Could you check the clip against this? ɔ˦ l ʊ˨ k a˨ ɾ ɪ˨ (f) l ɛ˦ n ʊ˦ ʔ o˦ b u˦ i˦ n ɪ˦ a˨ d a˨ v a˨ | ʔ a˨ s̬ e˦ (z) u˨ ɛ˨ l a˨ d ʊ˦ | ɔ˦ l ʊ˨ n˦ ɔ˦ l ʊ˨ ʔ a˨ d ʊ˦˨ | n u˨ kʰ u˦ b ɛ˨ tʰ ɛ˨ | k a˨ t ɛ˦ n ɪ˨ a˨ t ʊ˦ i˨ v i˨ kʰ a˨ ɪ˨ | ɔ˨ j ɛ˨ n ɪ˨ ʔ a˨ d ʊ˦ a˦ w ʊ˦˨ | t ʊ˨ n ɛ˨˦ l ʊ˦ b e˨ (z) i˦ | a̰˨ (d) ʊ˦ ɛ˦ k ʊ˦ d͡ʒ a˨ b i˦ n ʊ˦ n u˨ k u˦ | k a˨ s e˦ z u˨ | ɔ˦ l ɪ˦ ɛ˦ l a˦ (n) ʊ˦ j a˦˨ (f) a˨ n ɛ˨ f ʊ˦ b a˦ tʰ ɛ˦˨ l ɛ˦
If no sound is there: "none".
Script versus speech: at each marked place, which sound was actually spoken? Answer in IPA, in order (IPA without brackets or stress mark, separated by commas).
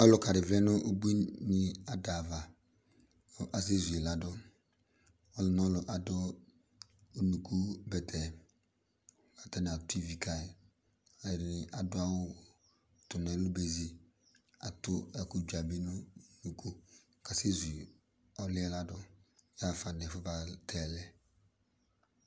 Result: v, z, z, t, d, f